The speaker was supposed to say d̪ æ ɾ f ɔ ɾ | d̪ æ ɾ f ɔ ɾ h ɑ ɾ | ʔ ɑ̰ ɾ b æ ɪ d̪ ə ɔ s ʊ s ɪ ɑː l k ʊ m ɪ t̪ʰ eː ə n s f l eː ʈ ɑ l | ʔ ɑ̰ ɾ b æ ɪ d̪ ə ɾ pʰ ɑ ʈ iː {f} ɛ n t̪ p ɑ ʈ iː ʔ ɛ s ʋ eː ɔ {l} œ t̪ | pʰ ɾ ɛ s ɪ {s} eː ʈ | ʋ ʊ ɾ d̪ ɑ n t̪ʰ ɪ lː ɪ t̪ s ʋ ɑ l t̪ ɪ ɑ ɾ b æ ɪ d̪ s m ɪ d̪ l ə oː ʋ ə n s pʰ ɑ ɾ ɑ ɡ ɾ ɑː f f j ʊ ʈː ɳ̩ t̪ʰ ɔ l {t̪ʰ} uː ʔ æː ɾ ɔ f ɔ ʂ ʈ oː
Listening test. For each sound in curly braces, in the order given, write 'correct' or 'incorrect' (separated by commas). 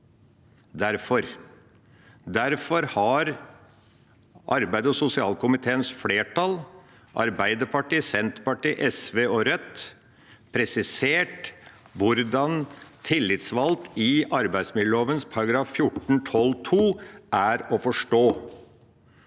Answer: incorrect, incorrect, correct, correct